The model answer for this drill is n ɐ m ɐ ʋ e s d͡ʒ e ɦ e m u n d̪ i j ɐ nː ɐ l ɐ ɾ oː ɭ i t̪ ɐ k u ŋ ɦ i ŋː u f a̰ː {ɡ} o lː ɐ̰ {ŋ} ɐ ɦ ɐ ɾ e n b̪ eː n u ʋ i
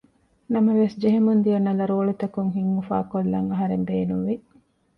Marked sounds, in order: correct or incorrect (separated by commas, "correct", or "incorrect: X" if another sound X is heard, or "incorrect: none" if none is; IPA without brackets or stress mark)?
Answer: incorrect: k, correct